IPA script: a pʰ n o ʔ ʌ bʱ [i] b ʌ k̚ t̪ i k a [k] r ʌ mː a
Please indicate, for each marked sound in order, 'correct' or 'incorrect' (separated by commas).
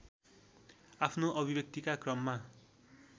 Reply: correct, correct